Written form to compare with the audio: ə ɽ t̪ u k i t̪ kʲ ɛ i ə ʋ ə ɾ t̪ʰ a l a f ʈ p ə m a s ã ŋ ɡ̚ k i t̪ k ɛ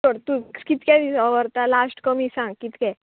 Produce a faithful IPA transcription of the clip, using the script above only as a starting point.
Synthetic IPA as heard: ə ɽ t̪ u k i t̪ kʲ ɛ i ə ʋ ə ɾ t̪ a l a s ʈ k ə m i s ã ŋ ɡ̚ k i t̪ k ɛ